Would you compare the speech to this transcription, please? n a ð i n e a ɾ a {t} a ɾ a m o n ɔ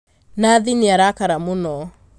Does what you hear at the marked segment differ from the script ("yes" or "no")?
yes